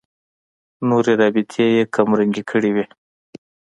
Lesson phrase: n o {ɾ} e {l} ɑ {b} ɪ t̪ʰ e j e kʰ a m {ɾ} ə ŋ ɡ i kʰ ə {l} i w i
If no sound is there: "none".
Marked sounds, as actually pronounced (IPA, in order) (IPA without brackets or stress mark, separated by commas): ɾ, ɾ, b, ɾ, ɽ